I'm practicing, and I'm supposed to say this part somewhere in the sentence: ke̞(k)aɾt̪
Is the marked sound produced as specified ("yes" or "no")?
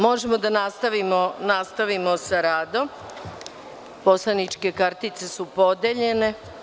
yes